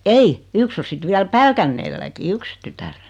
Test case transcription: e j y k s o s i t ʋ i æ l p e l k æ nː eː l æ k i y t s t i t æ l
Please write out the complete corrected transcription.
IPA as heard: e i y k s o s i t ʋ i æ l p æ l k æ nː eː lː æ k i y k s t y t æ r